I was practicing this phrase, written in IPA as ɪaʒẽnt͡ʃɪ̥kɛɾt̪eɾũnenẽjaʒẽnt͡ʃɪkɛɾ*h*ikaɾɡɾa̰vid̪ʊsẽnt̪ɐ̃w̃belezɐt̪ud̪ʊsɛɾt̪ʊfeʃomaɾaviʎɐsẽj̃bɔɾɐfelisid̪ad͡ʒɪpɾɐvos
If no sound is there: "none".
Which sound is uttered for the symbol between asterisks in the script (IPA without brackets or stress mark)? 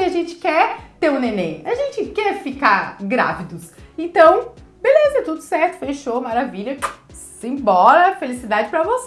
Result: f